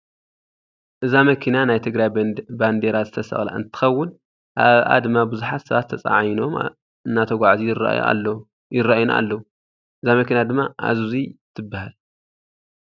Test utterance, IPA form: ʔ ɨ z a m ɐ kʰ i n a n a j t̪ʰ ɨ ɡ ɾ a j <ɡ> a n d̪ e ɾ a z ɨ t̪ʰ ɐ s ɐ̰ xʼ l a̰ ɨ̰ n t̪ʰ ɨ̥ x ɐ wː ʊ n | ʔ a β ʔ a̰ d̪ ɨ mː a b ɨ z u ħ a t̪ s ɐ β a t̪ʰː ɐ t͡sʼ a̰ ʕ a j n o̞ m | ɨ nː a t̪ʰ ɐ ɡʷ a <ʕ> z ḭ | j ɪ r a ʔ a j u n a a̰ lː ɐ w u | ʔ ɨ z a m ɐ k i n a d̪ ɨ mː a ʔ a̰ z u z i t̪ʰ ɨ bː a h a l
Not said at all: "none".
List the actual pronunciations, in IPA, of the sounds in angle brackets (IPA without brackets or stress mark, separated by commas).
b, ʕ